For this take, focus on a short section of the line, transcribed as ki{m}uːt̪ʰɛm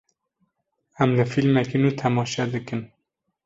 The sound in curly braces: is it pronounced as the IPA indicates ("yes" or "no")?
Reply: no